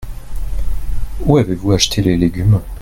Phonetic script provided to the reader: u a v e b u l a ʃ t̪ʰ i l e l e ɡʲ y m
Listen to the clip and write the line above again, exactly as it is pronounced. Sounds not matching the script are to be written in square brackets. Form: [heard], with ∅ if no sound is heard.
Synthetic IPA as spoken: u a v e [v] u [∅] a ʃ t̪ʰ [e] l e l e ɡʲ y m